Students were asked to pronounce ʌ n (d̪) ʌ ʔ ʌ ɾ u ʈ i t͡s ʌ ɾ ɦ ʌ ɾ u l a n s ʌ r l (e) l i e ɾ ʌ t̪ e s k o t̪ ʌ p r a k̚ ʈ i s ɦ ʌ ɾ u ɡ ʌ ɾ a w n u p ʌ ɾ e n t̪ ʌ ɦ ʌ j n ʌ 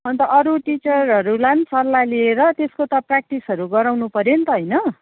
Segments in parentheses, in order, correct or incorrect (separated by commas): incorrect, incorrect